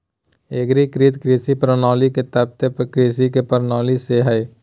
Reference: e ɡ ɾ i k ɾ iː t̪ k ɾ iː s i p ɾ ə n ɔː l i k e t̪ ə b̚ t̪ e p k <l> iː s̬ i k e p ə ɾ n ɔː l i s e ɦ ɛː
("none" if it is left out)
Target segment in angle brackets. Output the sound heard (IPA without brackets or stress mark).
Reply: ɾ